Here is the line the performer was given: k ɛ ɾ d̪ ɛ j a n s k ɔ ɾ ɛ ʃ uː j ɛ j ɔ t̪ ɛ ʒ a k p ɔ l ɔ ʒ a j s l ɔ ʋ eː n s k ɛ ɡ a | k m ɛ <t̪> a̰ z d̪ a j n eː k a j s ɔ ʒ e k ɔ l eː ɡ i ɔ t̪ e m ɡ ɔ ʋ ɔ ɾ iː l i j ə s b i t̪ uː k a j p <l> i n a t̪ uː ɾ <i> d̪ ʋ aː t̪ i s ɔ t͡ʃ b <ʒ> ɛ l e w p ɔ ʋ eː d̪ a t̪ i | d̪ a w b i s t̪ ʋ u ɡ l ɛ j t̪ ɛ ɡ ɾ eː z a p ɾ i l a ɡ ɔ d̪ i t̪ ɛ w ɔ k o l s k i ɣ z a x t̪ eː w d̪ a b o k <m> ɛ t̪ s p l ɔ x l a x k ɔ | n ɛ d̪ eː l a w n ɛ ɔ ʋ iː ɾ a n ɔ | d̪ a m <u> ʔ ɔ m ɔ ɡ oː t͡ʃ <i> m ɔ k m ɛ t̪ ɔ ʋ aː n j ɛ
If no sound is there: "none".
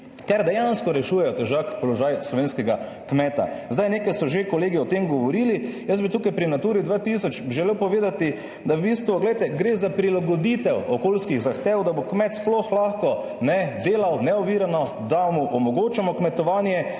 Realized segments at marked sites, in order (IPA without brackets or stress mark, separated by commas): t̪, ɾ, i, ʒ, m, u, a